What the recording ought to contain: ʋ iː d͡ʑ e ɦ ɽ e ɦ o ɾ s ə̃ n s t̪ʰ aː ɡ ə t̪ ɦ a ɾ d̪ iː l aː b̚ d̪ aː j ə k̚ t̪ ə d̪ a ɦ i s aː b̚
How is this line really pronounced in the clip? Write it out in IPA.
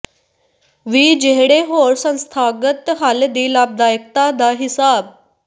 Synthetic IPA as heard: ʋ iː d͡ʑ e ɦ ɽ e ɦ o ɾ s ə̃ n s t̪ʰ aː ɡ ə t̪ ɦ a l d̪ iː l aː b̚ d̪ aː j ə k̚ t̪ a d̪ a ɦ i s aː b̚